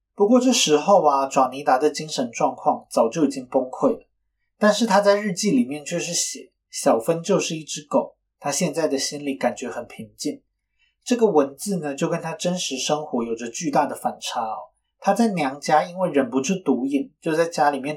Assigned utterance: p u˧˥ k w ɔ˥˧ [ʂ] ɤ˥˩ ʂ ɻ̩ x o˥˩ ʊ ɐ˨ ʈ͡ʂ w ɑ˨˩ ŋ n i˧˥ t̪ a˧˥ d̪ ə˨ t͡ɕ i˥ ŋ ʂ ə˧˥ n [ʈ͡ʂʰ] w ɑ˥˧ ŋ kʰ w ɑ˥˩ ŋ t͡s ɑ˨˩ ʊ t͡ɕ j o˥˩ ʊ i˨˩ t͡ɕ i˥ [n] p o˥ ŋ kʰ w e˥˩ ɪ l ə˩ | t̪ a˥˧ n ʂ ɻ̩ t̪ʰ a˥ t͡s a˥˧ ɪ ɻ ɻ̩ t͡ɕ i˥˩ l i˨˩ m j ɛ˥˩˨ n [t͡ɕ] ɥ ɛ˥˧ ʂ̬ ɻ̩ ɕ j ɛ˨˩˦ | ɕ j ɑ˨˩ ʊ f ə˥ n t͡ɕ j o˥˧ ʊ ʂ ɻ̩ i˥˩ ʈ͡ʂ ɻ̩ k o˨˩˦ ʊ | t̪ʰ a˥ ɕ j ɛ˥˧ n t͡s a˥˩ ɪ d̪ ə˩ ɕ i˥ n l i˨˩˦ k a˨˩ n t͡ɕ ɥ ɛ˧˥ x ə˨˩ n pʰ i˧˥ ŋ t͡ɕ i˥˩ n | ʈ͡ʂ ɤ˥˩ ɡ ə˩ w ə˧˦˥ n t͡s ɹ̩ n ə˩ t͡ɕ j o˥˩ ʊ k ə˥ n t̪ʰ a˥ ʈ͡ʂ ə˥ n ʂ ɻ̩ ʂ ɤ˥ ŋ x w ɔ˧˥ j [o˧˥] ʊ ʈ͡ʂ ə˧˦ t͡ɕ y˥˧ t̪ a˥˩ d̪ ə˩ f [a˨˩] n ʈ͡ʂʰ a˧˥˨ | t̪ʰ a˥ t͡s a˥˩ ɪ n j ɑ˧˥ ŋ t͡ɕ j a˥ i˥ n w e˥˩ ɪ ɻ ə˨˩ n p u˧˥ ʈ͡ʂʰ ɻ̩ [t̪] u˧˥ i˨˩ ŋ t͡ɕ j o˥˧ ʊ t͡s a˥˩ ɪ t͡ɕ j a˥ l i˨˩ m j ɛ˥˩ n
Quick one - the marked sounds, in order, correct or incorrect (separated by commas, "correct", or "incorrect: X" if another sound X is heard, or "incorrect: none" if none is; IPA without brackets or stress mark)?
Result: incorrect: ʈ͡ʂ, incorrect: ʈ͡ʂ, incorrect: ŋ, incorrect: t͡ɕʰ, incorrect: o˨˩, correct, correct